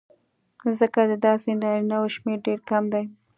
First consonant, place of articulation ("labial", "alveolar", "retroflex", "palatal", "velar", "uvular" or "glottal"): alveolar